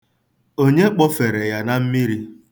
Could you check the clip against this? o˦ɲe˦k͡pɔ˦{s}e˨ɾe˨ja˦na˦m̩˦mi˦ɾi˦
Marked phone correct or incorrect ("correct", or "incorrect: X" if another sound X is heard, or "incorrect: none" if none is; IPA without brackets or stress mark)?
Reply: incorrect: f